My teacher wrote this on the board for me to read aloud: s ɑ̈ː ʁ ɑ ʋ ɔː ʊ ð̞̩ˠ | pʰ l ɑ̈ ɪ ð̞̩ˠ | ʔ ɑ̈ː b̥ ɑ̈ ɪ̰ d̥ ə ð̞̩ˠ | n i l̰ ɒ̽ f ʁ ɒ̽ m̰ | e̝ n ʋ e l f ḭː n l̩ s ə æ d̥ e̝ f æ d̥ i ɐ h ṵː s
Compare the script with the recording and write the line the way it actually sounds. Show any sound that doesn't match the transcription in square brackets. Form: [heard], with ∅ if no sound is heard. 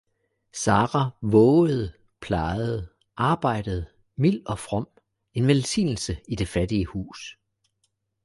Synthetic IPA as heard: s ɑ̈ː ʁ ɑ ʋ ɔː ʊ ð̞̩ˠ | pʰ l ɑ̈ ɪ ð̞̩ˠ | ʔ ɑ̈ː b̥ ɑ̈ ɪ̰ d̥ ə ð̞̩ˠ | [m] i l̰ ɒ̽ f ʁ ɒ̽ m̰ | e̝ n ʋ e l [s] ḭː n l̩ s ə [i] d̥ e̝ f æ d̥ i [ə] h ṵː s